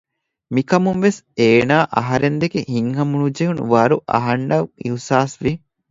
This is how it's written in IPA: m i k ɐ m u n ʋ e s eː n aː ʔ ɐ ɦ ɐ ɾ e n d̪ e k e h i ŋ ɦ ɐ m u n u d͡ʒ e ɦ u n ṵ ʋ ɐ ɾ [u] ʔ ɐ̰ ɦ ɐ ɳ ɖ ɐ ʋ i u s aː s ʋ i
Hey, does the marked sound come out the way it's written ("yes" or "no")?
yes